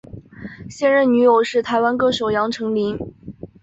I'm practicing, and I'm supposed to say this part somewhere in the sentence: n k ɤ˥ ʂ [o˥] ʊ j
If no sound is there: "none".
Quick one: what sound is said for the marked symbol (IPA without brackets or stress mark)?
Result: o˨˩